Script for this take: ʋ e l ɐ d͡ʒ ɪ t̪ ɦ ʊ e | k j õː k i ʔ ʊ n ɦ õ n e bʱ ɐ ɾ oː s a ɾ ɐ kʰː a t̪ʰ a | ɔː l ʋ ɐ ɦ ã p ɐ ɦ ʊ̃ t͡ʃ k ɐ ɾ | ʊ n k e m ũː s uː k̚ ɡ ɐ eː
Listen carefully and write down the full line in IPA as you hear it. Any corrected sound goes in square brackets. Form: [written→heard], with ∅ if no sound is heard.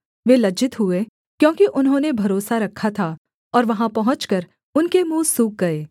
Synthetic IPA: ʋ e l ɐ d͡ʒ ɪ t̪ ɦ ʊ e | k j õː k i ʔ ʊ n ɦ õ n e bʱ ɐ ɾ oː s a ɾ ɐ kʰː a t̪ʰ a | ɔː [l→ɾ] ʋ ɐ ɦ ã p ɐ ɦ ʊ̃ t͡ʃ k ɐ ɾ | ʊ n k e m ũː s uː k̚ ɡ ɐ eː

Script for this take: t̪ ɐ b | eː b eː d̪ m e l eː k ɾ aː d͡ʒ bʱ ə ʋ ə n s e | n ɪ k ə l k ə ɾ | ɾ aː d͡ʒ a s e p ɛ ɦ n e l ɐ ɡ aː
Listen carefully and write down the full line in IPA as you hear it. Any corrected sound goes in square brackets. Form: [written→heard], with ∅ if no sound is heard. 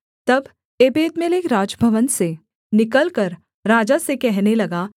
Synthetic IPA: t̪ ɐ b | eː b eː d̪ m e l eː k ɾ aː d͡ʒ bʱ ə ʋ ə n s e | n ɪ k ə l k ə ɾ | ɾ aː d͡ʒ a s e [p→k] ɛ ɦ n e l ɐ ɡ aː

